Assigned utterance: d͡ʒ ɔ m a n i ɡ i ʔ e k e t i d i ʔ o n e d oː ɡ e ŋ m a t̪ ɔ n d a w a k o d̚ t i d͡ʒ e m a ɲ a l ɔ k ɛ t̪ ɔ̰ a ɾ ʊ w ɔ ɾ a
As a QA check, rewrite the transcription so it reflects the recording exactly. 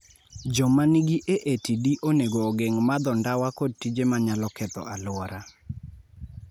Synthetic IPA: d͡ʒ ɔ m a n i ɡ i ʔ e ʔ e t i d i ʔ o n e ɡ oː ɡ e ŋ m a d̪ ɔ n d a w a k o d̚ t i d͡ʒ e m a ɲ a l ɔ k ɛ t̪ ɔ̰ a l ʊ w ɔ ɾ a